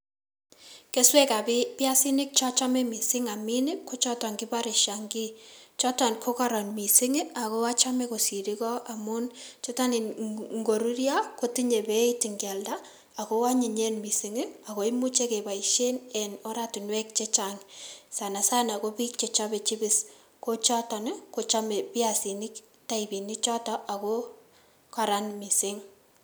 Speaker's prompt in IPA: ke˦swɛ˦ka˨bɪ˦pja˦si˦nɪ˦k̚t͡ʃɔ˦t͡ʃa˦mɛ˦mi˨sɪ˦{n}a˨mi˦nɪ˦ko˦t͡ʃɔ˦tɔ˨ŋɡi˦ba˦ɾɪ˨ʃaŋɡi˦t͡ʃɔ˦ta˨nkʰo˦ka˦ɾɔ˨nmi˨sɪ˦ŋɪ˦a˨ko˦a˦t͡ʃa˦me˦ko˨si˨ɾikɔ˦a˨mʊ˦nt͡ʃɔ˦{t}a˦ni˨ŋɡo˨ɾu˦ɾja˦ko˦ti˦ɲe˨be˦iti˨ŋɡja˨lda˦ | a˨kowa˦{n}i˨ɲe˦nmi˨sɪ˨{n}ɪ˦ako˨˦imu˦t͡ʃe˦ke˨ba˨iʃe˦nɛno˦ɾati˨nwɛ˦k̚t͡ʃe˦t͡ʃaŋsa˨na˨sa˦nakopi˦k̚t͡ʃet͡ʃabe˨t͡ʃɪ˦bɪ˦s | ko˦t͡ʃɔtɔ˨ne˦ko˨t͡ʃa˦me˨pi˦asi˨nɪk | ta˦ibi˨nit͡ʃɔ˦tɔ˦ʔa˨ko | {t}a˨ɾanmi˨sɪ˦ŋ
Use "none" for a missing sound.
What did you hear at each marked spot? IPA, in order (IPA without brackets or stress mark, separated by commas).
ŋ, t, ɲ, ŋ, k